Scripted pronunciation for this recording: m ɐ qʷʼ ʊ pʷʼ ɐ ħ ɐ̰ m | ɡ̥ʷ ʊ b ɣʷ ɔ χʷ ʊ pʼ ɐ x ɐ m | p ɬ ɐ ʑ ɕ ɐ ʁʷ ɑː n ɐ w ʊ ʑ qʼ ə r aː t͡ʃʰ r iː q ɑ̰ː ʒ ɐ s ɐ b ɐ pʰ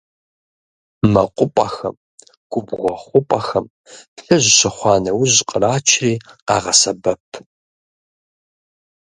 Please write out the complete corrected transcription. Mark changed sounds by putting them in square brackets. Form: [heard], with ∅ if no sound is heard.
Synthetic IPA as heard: m ɐ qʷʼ ʊ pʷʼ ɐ [x] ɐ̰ m | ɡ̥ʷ ʊ b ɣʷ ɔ χʷ ʊ pʼ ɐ x ɐ m | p ɬ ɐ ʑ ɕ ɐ [χʷ] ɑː n ɐ w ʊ ʑ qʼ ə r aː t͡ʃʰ r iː q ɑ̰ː [ʁ] ɐ s ɐ b ɐ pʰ